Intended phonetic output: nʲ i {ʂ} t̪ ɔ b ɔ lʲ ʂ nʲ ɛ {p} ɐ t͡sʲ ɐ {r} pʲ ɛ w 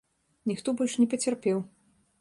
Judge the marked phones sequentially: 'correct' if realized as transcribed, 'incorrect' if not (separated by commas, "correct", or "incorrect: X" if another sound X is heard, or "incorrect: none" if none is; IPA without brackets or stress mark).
incorrect: x, correct, correct